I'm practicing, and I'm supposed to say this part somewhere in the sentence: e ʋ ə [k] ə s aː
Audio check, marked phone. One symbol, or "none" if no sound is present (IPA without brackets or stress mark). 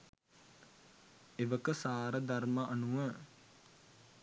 k